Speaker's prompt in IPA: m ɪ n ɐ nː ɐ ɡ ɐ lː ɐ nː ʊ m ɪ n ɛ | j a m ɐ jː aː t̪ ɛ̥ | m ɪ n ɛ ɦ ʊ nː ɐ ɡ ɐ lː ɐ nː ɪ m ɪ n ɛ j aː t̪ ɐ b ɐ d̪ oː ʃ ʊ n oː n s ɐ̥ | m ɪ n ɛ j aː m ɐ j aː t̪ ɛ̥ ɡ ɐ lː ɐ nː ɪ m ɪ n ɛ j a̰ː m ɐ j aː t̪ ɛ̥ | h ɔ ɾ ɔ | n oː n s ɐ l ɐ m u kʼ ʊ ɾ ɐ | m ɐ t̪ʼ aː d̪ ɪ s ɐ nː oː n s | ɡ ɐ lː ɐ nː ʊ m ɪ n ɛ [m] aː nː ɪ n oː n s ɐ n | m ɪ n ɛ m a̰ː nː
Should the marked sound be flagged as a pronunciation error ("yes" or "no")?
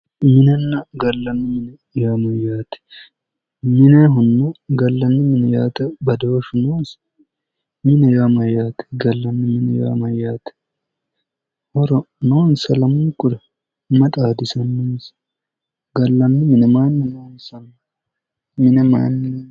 no